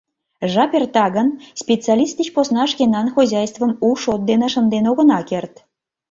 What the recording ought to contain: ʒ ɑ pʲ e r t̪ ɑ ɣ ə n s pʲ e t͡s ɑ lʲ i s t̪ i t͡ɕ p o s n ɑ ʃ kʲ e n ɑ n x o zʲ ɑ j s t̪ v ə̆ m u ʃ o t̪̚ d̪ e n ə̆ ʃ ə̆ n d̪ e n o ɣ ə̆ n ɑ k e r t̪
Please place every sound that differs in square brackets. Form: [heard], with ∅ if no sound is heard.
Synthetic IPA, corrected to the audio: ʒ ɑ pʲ e r t̪ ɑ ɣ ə n s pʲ e t͡s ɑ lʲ i s t̪ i t͡ɕ p o s n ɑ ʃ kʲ e n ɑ n x o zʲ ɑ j s t̪ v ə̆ m u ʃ o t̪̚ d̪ e n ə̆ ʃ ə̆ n d̪ e n o ɣ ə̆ n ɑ k e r t̪